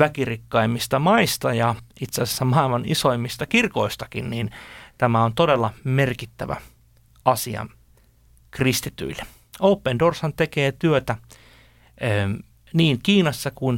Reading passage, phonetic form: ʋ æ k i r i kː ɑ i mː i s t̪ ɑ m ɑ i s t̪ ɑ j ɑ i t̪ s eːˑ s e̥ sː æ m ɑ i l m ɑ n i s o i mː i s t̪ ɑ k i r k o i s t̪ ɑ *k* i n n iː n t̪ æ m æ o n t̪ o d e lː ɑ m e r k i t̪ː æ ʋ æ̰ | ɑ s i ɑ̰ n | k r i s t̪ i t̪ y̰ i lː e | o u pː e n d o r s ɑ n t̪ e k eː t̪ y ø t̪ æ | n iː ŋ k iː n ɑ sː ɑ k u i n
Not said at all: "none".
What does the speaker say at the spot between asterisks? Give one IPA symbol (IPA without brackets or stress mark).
k